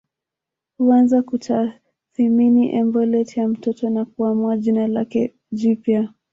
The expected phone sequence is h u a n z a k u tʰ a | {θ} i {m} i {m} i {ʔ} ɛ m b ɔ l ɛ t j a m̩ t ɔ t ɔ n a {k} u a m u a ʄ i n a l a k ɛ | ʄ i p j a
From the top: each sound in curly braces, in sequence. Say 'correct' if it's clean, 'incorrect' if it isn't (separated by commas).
correct, correct, incorrect, correct, correct